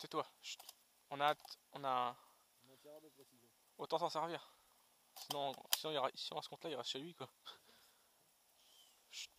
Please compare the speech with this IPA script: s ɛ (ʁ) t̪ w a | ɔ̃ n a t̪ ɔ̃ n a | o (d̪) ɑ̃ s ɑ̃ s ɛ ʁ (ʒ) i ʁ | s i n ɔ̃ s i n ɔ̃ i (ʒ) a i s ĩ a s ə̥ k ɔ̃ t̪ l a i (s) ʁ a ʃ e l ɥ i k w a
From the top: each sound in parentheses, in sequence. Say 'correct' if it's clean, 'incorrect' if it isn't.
incorrect: none, incorrect: t̪, incorrect: v, incorrect: ʁ, incorrect: none

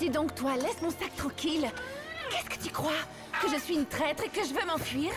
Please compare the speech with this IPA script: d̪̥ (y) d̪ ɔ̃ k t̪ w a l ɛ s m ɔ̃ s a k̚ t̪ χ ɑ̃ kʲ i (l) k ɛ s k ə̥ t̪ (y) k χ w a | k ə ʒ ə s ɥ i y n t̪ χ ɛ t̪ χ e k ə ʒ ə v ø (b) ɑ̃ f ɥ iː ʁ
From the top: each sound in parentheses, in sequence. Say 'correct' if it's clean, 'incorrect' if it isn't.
incorrect: i, correct, correct, incorrect: m

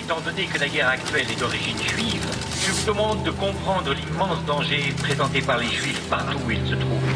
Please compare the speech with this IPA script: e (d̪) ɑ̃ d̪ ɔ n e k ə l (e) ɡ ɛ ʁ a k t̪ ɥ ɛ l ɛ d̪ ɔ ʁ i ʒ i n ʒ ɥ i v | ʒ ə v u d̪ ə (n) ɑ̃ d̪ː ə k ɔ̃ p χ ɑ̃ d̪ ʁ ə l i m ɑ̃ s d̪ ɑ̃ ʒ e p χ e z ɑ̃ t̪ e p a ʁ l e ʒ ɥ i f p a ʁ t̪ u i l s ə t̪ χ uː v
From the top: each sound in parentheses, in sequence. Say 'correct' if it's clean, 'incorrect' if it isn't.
incorrect: t̪, incorrect: a, incorrect: m

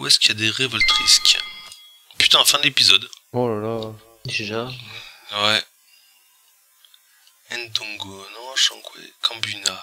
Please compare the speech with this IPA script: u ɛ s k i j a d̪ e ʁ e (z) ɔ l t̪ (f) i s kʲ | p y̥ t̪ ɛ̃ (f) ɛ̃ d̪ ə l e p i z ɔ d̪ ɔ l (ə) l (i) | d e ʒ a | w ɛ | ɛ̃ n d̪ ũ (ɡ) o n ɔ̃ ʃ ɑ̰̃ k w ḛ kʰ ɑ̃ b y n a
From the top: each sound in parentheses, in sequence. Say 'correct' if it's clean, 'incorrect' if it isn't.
incorrect: v, incorrect: χ, correct, incorrect: a, incorrect: a, correct

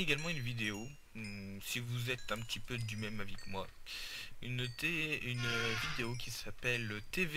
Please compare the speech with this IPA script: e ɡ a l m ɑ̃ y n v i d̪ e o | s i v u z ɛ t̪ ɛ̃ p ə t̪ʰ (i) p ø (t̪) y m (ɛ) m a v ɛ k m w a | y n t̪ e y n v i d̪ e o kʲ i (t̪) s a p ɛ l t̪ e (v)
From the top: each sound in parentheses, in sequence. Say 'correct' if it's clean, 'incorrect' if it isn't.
correct, incorrect: d̪, correct, incorrect: none, correct

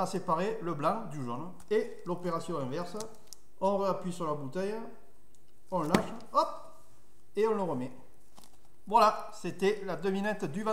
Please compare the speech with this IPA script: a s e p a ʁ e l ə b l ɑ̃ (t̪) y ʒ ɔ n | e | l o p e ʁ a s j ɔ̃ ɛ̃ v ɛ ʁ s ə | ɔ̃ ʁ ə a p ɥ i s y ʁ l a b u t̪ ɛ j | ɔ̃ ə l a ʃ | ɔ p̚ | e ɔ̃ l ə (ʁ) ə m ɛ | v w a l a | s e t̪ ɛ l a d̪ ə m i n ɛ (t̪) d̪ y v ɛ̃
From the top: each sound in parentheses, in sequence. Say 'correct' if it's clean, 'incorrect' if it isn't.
incorrect: d̪, correct, correct

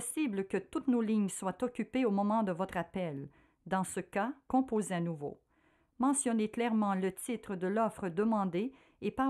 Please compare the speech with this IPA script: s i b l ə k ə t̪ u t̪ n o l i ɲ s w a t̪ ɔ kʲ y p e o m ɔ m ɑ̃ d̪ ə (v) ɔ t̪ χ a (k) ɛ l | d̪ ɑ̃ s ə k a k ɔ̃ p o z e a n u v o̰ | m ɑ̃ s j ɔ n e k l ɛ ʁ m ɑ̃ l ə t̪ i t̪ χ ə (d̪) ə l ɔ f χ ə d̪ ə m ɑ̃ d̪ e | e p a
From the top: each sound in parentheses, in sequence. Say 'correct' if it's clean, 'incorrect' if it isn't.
correct, incorrect: p, correct

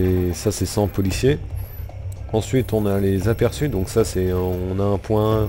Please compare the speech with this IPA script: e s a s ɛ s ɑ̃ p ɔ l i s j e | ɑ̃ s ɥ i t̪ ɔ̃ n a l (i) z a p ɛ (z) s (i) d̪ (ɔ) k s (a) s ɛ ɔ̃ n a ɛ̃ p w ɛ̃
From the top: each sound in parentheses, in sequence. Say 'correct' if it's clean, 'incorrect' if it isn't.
incorrect: e, incorrect: ʁ, incorrect: y, incorrect: ɔ̃, correct

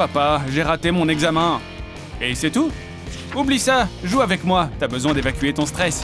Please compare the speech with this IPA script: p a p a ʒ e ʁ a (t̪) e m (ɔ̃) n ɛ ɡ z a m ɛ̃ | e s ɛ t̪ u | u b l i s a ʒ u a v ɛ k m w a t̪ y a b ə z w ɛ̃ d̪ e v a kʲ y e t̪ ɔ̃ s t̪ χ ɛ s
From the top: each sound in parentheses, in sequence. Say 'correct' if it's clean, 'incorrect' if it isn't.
correct, correct

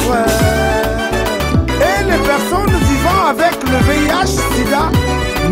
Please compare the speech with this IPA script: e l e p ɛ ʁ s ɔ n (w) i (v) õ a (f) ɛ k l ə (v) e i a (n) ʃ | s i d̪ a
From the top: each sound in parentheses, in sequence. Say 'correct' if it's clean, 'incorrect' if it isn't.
incorrect: v, correct, incorrect: v, correct, incorrect: none

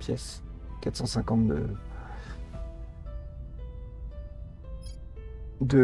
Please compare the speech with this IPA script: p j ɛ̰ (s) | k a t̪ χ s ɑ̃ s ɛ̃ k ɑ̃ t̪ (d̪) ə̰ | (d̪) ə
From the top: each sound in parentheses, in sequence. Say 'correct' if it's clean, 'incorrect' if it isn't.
correct, correct, correct

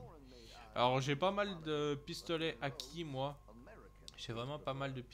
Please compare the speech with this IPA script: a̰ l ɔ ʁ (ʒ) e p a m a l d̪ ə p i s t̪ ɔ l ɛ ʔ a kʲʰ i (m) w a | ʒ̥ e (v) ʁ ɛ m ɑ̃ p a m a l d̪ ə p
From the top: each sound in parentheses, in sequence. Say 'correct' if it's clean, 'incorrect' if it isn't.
correct, correct, correct

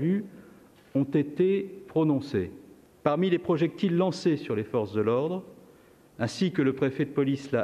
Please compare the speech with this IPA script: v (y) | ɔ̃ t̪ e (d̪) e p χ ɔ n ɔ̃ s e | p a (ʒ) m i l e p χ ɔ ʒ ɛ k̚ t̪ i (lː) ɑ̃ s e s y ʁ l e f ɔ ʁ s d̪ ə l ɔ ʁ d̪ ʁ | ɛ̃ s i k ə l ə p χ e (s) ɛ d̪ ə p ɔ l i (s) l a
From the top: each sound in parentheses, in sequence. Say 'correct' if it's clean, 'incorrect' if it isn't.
correct, incorrect: t̪, incorrect: ʁ, correct, incorrect: f, correct

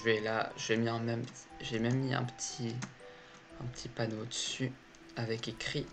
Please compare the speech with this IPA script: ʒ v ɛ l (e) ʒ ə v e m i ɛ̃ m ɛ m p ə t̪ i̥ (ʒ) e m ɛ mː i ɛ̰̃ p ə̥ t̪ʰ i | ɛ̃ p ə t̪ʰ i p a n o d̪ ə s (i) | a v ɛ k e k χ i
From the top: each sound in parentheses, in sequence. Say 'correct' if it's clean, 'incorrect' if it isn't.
incorrect: a, correct, incorrect: y

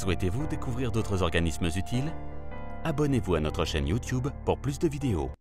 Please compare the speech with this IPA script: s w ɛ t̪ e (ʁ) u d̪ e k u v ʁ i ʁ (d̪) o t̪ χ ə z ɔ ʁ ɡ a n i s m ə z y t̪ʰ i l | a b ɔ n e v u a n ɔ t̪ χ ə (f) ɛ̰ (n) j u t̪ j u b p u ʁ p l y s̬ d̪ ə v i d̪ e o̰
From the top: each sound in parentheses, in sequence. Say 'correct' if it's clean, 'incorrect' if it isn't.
incorrect: v, correct, incorrect: ʃ, correct

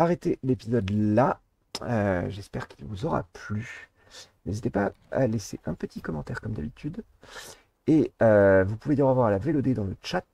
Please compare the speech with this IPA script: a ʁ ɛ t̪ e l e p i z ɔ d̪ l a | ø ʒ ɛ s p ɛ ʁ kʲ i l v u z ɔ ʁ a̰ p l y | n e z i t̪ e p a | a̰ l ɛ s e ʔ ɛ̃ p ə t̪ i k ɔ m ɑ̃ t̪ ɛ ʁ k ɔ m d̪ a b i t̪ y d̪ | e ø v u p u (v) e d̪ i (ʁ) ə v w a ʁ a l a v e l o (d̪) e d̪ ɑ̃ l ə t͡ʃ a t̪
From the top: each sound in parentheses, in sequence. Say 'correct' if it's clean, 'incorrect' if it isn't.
correct, correct, correct

